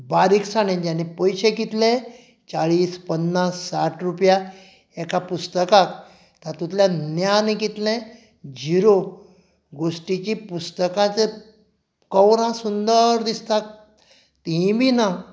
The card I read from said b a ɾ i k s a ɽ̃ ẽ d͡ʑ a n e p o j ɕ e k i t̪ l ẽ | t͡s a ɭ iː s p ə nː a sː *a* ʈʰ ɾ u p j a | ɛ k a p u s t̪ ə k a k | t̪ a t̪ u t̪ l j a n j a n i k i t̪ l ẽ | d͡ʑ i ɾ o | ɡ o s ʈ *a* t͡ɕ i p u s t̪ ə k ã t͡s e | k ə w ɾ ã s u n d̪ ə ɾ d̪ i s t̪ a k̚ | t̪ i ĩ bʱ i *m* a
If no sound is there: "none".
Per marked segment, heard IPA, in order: a, i, n

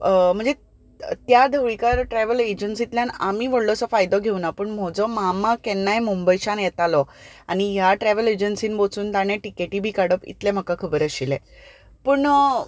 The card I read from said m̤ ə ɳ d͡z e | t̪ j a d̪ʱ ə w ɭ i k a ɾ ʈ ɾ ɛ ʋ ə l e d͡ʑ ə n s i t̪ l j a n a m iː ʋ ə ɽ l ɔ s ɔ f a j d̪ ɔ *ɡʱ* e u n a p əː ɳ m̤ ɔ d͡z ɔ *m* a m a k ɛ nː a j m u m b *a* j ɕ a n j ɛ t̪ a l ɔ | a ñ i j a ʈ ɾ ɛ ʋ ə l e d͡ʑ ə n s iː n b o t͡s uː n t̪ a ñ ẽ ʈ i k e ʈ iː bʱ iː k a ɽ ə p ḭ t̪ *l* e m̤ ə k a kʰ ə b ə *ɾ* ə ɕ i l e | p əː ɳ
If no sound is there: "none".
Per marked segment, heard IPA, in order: ɡʱ, m, ə, l, ɾ

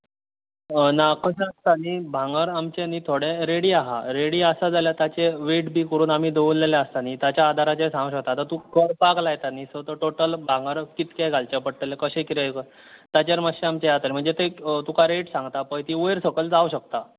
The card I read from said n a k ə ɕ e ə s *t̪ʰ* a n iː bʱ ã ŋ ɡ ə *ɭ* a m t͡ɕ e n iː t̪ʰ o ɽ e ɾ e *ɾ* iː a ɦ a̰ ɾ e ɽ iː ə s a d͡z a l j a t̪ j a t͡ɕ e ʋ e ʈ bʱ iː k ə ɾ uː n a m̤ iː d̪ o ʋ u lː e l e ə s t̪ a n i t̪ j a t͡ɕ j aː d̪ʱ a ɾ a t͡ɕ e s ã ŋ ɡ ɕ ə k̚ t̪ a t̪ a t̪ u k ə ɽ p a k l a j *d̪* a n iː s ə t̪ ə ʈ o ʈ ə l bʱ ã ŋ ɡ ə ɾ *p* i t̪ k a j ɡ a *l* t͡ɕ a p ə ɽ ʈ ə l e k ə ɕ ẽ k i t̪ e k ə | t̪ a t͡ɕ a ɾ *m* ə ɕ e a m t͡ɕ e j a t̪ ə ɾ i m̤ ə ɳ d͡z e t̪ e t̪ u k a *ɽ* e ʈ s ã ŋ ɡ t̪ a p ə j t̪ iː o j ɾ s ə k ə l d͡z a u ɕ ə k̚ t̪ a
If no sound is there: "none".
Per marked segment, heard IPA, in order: t̪, ɾ, ɽ, t̪, k, l, m, ɾ

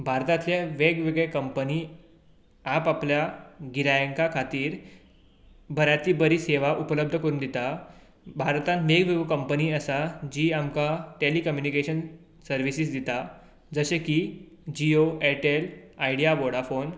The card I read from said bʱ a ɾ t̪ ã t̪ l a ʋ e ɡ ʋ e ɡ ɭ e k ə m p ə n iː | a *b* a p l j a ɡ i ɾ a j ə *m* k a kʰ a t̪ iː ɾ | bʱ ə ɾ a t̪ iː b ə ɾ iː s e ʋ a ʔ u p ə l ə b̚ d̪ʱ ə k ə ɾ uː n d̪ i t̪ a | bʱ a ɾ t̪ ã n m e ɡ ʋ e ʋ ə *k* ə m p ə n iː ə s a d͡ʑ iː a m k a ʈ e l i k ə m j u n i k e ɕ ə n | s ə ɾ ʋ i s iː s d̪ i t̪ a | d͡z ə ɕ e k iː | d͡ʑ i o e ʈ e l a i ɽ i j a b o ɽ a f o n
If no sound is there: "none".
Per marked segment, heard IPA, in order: p, ŋ, k

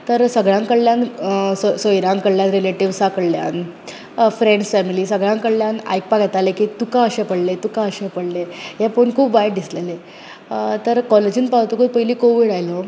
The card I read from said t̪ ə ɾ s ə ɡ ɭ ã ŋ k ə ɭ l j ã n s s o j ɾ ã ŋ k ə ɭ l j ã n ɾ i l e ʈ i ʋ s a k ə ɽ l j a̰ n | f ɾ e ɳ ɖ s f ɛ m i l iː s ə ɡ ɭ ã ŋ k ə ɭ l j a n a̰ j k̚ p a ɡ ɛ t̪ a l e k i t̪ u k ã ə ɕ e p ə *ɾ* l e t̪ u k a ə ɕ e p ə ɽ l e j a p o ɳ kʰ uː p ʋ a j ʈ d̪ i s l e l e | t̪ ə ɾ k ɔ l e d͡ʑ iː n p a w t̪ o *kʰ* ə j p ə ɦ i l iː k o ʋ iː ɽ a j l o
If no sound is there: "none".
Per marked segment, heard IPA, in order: ɽ, k

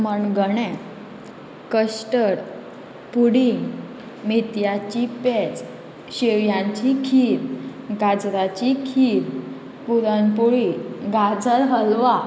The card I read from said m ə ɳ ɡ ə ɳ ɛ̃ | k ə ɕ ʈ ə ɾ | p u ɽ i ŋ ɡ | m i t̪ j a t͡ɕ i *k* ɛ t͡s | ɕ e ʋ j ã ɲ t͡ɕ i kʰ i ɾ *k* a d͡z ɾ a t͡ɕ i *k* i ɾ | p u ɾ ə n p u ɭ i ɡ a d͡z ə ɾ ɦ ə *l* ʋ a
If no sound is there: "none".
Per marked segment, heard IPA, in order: p, ɡ, kʰ, l

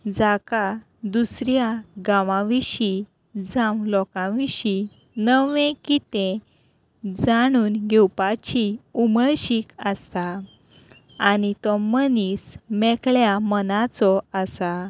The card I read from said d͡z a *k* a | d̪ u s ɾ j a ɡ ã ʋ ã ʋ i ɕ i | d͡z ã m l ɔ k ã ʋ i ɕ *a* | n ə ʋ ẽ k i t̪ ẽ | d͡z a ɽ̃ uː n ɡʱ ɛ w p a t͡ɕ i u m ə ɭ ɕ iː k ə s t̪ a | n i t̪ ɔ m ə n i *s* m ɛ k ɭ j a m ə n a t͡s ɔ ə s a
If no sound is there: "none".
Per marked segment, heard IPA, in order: k, i, s

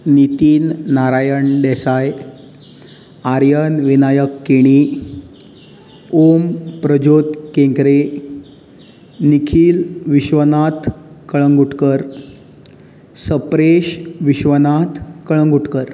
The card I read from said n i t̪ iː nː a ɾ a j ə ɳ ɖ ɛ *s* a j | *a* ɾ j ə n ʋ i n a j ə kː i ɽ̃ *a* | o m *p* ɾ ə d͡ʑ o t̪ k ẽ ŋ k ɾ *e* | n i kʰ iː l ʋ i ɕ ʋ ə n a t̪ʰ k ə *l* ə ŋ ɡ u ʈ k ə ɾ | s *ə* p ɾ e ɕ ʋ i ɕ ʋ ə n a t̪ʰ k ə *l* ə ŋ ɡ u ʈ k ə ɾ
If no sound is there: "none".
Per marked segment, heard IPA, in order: s, a, i, p, e, ɭ, ə, ɭ

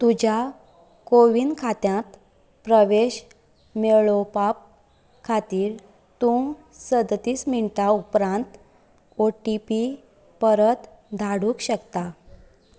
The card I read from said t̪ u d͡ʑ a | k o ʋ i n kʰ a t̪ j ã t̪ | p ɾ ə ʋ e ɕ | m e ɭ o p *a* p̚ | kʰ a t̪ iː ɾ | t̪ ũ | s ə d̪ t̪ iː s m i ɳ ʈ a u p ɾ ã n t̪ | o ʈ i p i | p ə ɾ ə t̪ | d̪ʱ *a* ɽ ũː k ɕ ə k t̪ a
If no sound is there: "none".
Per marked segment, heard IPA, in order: a, a

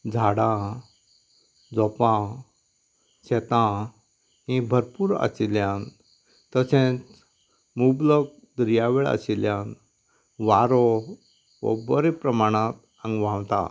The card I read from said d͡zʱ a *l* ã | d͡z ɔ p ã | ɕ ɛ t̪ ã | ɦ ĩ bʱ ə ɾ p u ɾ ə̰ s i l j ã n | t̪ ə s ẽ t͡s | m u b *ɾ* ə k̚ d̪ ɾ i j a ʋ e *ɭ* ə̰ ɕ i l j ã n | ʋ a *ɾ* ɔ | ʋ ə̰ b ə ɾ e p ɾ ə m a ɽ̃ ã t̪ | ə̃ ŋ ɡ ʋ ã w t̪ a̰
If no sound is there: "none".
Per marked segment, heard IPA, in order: ɽ, l, ɭ, ɾ

